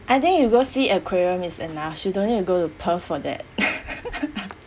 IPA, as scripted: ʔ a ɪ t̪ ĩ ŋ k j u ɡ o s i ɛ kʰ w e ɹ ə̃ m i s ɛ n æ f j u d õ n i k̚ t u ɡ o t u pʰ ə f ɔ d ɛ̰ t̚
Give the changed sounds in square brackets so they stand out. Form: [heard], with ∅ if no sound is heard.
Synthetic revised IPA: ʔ a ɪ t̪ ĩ ŋ k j u ɡ o s i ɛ kʰ w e ɹ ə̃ m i s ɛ n [a] f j u d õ n i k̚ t u ɡ o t u pʰ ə f ɔ d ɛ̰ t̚